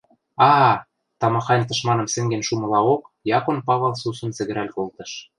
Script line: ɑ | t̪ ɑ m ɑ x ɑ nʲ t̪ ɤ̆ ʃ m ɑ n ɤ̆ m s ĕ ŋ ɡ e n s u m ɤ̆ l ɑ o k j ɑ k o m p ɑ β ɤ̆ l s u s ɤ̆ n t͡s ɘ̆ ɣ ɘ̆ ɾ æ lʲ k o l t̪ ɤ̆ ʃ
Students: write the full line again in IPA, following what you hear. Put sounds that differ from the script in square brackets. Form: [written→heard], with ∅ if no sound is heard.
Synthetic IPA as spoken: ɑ | t̪ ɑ m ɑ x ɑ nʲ t̪ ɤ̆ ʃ m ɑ n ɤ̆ m s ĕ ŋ ɡ e n [s→ʃ] u m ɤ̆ l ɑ o k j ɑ k o [m→n] p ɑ β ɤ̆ l s u s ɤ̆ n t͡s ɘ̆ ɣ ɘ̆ ɾ æ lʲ k o l t̪ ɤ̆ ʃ